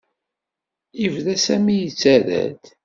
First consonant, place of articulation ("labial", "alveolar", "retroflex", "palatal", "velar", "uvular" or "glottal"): labial